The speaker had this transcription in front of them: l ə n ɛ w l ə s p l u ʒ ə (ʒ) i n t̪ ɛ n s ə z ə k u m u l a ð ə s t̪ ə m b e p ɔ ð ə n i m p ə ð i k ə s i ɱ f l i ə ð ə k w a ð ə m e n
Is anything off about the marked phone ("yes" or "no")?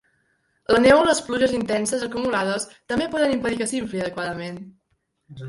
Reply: yes